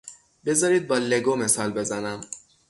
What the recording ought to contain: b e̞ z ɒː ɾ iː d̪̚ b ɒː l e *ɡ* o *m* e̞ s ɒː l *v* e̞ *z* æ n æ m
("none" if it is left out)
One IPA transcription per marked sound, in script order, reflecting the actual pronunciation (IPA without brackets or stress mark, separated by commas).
ɡ, m, b, z